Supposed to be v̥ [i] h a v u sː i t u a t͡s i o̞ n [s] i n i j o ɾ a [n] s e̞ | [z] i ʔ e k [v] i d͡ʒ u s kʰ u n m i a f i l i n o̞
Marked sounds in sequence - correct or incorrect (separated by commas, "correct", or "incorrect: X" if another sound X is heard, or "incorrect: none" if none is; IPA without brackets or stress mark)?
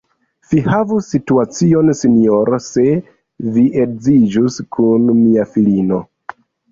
correct, correct, incorrect: none, incorrect: v, incorrect: z